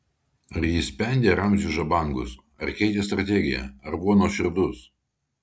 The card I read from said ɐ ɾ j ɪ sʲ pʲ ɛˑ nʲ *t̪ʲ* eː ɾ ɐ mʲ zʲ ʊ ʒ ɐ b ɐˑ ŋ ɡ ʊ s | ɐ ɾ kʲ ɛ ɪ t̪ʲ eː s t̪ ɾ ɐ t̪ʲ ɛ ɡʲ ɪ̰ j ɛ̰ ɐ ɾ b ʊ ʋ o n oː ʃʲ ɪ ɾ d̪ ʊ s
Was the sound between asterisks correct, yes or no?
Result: no